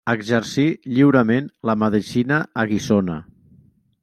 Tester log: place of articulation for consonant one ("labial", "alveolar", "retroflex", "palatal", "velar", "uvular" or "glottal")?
velar